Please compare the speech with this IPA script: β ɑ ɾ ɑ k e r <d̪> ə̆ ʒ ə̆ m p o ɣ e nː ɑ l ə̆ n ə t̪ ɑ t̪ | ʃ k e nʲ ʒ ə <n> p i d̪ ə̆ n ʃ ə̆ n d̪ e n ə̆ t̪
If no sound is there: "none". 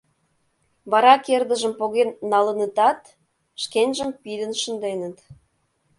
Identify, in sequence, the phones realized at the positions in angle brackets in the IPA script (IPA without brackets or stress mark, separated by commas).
d̪, m